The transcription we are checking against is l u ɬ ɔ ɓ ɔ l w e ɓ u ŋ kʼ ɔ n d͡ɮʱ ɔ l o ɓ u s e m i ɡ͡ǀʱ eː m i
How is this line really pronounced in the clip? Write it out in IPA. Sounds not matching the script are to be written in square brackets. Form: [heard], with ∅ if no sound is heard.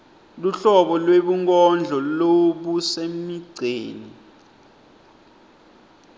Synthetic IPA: l u ɬ ɔ ɓ ɔ l w e ɓ u ŋ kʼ ɔ n d͡ɮʱ ɔ l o ɓ u s e m i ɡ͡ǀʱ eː [n] i